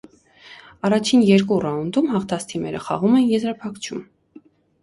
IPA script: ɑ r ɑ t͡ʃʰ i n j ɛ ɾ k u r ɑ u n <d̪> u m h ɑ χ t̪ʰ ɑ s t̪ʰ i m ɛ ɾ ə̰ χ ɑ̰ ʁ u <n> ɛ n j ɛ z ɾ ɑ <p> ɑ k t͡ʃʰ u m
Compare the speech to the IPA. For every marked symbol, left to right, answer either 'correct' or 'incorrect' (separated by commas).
correct, incorrect, incorrect